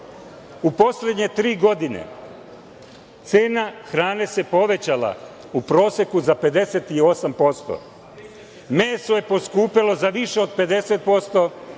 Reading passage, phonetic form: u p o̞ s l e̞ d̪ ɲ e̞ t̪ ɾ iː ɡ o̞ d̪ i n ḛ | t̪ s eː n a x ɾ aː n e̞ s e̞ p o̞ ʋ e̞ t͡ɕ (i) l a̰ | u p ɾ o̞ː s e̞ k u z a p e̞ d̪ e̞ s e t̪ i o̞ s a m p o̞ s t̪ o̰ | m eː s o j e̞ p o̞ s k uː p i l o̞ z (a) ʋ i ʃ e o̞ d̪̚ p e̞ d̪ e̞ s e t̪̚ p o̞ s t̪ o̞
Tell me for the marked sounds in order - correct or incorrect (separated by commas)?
incorrect, correct